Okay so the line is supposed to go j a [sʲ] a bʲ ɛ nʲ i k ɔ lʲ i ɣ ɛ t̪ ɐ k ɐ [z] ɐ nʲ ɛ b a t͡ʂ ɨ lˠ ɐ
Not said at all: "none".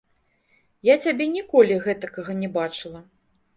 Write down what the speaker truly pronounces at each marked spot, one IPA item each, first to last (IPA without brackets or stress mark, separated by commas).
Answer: t͡sʲ, ɣ